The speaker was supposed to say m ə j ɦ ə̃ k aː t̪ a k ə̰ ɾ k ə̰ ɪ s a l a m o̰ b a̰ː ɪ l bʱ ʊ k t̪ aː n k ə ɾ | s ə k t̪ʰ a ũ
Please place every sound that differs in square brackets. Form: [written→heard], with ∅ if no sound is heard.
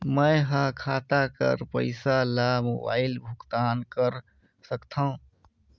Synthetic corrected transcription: m ə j ɦ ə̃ [k→kʰ] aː t̪ a k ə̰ ɾ [k→p] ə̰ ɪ s a l a m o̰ b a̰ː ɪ l bʱ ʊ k t̪ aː n k ə ɾ | s ə k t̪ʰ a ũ